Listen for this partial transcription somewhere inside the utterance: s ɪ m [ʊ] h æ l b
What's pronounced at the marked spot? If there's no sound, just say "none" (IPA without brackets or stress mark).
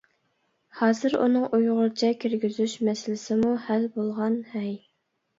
u